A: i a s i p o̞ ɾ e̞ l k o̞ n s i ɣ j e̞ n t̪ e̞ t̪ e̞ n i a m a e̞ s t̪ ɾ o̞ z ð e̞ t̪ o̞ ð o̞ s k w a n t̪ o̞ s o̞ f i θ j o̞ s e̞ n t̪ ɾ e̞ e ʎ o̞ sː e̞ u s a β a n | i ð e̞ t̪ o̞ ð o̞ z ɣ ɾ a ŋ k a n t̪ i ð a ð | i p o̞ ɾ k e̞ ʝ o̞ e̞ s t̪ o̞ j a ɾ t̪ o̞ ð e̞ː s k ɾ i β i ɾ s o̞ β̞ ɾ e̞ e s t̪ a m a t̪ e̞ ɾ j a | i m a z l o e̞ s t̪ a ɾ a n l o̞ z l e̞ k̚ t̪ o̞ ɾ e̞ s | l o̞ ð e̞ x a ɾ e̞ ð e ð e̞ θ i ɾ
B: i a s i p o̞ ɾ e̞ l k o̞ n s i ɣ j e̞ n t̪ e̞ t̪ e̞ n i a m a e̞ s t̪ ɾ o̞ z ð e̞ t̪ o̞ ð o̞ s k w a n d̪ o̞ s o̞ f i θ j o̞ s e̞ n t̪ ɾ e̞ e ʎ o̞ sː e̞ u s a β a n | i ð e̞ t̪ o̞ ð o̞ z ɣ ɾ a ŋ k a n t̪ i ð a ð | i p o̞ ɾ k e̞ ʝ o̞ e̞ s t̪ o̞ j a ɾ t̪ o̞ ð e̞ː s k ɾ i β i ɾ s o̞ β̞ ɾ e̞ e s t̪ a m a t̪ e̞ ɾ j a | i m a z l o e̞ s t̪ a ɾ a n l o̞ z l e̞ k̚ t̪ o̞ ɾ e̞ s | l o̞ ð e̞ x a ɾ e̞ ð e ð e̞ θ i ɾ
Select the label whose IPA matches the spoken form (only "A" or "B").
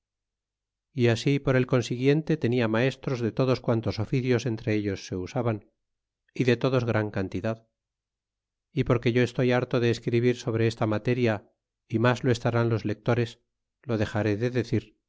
A